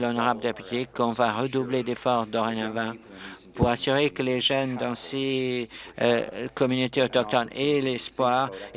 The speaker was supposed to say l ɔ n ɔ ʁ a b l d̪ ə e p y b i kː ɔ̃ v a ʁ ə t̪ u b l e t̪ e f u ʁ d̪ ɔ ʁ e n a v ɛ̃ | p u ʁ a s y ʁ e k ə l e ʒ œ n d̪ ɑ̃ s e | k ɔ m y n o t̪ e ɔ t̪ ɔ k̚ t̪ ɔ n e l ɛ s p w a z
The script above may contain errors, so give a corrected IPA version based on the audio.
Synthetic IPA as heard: l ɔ n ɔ ʁ a b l d̪ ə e p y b i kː ɔ̃ v a ʁ ə d̪ u b l e d̪ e f ɔ ʁ d̪ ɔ ʁ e n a v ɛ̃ | p u ʁ a s y ʁ e k ə l e ʒ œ n d̪ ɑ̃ s e | k ɔ m y n o t̪ e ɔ t̪ ɔ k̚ t̪ ɔ n e l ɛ s p w a ʁ